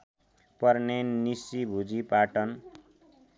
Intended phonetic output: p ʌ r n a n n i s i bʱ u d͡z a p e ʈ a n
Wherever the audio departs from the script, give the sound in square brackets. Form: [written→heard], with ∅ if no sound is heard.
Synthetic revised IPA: p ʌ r n [a→e] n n i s i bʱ u d͡z [a→i] p [e→a] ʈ [a→ʌ] n